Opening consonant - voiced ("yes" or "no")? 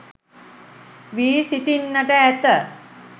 yes